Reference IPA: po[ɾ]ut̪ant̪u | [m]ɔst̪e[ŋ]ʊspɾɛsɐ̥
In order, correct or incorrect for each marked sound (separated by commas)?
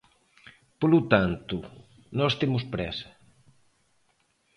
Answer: incorrect, incorrect, incorrect